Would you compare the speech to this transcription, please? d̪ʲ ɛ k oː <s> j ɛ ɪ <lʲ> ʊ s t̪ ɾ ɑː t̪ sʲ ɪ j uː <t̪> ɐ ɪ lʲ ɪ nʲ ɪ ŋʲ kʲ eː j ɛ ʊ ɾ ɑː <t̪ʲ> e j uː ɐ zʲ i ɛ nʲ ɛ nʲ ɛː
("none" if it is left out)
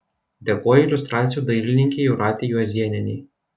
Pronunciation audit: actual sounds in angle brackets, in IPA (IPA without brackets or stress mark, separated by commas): none, lʲ, d̪, t̪ʲ